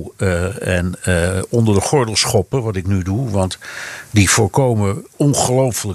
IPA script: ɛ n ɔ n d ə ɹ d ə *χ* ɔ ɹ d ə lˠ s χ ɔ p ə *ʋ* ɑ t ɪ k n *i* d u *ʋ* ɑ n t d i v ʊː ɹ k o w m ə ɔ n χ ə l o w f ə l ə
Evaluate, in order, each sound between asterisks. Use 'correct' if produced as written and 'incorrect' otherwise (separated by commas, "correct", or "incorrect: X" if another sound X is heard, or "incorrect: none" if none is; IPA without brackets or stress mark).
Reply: correct, correct, incorrect: y, correct